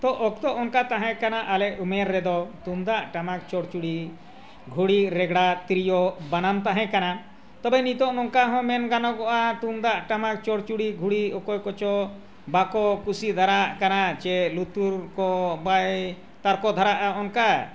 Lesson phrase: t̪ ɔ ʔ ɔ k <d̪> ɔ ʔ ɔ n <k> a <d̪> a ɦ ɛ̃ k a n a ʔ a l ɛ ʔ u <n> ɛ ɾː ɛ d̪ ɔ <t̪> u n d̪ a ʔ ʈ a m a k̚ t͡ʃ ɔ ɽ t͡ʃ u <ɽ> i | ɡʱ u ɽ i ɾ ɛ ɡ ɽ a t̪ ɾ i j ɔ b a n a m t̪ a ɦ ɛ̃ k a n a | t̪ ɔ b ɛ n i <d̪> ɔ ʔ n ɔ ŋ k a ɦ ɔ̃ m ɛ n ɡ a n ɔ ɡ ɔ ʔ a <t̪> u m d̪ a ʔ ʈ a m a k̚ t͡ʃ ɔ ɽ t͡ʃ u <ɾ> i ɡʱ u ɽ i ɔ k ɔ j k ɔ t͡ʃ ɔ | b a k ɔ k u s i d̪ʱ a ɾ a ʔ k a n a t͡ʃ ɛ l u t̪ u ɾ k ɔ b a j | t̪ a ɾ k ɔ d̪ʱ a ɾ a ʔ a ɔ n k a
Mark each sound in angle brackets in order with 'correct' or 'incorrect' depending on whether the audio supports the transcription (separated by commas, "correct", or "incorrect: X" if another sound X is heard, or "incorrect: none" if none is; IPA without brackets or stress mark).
incorrect: t̪, correct, incorrect: t̪, incorrect: m, correct, correct, incorrect: t̪, correct, incorrect: ɽ